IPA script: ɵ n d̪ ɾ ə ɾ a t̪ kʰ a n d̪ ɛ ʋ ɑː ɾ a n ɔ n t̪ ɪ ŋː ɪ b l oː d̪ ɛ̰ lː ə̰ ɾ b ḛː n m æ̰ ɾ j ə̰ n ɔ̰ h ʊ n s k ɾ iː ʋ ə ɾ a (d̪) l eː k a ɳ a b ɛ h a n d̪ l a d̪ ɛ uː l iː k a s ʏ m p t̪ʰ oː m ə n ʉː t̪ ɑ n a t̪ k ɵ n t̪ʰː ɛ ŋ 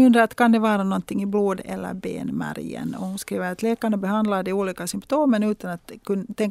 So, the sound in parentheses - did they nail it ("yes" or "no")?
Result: no